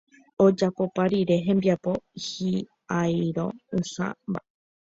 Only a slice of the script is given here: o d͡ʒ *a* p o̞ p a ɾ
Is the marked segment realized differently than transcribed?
no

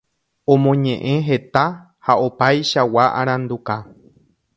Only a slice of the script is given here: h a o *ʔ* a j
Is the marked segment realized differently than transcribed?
yes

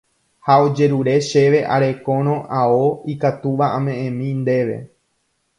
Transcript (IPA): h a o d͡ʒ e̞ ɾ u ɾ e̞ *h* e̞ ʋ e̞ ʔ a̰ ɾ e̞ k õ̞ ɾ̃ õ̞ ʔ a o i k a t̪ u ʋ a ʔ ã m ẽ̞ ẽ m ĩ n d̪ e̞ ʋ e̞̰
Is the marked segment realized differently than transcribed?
yes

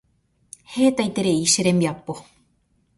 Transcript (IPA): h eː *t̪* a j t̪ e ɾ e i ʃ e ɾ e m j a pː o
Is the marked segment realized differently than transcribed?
no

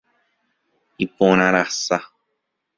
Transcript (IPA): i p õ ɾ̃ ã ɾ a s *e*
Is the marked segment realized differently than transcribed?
yes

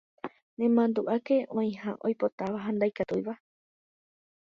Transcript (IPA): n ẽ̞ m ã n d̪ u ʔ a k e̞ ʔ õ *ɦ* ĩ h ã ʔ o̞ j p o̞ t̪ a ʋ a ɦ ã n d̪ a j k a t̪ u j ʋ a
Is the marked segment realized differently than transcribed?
yes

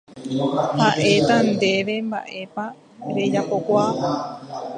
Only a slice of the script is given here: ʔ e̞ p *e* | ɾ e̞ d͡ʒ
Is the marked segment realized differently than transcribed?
yes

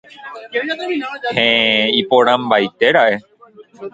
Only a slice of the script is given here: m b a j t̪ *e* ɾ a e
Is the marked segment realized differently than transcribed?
no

